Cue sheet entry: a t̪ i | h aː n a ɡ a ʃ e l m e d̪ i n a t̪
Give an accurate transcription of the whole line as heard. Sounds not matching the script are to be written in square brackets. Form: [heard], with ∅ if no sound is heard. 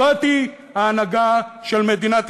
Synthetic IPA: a t̪ i | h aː n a ɡ a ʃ e l m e d̪ i n a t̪

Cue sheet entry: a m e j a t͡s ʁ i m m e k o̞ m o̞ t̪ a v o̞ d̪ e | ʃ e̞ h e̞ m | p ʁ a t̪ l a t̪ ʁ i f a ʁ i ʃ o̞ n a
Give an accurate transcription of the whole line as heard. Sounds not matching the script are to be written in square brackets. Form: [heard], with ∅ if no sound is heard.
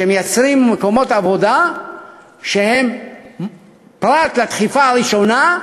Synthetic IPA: [e] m e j a t͡s ʁ i m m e k o̞ m o̞ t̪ a v o̞ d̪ [a] | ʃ e̞ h e̞ m | p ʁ a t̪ l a t̪ [χ] i f a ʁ i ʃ o̞ n a

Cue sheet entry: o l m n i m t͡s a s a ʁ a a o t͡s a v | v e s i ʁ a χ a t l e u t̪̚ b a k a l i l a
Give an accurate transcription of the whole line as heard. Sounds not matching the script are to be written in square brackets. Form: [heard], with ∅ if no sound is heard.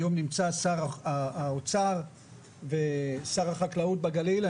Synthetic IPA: o [∅] m n i m t͡s a s a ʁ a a o t͡s a [ʁ] | v e s [a] ʁ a χ a [k] l [a] u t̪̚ b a [ɡ] a l i l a

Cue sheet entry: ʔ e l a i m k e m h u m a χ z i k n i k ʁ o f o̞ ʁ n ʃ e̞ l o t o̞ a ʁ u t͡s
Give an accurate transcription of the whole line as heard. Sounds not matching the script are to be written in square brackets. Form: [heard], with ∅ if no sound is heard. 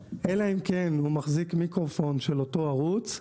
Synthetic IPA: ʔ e l a i m k e [n] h u m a χ z i k [m] i k ʁ o f o̞ [∅] n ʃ e̞ l o t o̞ a ʁ u t͡s

